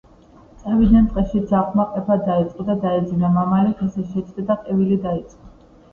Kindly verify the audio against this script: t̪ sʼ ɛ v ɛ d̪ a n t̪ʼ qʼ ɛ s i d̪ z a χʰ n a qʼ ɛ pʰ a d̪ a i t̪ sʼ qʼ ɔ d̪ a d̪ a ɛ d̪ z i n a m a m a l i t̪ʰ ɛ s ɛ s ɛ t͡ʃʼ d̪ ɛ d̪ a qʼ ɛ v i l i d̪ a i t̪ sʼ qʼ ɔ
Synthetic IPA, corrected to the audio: t̪ sʼ ɛ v i d̪ a n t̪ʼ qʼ ɛ ʃ i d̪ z a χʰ m a qʼ ɛ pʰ a d̪ a i t̪ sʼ qʼ ɔ d̪ a d̪ a ɛ d̪ z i n a m a m a l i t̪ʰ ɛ s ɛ ʃ ɛ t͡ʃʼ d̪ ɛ d̪ a qʼ ɛ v i l i d̪ a i t̪ sʼ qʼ ɔ